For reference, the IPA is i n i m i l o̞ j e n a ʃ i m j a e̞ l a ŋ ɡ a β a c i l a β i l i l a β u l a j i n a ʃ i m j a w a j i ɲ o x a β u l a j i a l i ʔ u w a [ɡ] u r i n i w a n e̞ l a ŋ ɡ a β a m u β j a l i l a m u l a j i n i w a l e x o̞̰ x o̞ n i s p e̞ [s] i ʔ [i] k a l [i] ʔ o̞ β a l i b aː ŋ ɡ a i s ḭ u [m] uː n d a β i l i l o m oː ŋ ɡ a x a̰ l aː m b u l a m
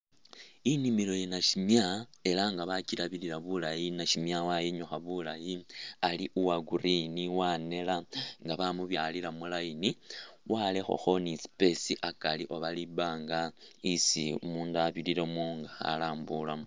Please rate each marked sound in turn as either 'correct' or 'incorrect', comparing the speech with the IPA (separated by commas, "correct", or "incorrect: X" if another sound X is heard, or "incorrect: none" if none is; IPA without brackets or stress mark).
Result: correct, correct, incorrect: a, correct, correct